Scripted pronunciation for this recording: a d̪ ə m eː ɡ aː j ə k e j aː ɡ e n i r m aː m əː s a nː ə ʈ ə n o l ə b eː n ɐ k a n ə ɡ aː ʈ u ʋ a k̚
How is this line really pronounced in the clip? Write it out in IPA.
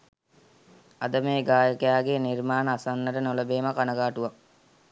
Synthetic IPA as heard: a d̪ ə m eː ɡ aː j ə k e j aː ɡ e n i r m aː n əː s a nː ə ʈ ə n o l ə b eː m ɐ k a n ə ɡ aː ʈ u ʋ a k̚